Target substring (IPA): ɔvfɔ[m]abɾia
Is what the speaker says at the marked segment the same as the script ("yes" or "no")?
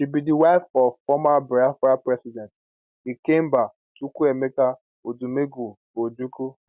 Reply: yes